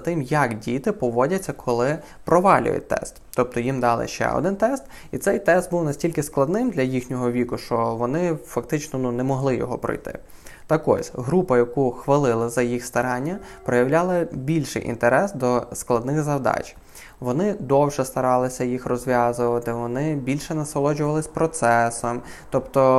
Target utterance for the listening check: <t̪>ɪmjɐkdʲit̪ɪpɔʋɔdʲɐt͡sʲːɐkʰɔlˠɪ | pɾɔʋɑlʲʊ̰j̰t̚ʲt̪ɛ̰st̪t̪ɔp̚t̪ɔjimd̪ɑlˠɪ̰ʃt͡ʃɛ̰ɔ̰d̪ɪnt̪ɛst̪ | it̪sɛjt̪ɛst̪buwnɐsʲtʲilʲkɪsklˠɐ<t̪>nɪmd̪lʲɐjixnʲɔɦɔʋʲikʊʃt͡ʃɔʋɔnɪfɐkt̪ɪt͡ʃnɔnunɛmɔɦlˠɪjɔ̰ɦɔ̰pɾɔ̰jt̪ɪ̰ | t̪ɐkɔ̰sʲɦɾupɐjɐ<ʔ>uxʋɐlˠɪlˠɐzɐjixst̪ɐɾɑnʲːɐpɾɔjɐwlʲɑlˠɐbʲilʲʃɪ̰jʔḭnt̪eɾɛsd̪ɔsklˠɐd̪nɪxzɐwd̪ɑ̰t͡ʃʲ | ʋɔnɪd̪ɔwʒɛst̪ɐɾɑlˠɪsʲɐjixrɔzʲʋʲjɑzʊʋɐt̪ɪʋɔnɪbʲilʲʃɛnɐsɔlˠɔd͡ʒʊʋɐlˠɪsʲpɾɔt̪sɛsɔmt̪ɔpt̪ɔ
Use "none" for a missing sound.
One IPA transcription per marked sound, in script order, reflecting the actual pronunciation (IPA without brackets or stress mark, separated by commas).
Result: t̪, d̪, k